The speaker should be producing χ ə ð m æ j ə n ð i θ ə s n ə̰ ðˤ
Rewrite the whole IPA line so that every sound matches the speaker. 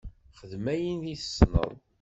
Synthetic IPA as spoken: χ ə ð m æ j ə n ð i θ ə s n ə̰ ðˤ